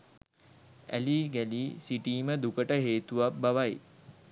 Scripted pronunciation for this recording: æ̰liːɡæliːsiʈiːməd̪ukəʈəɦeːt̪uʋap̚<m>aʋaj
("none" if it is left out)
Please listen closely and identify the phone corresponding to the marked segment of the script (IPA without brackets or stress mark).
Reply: b